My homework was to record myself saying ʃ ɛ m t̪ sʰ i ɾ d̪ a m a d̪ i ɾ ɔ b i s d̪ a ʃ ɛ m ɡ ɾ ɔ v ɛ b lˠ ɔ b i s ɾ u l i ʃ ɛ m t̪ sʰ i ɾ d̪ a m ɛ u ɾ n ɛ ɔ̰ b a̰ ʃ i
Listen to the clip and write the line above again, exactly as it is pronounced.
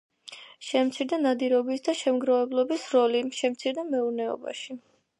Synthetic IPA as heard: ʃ ɛ m t̪ sʰ i ɾ d̪ a n a d̪ i ɾ ɔ b i s d̪ a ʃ ɛ m ɡ ɾ ɔ v ɛ b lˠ ɔ b i s ɾ ɔ l i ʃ ɛ m t̪ sʰ i ɾ d̪ a m ɛ u ɾ n ɛ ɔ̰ b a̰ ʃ i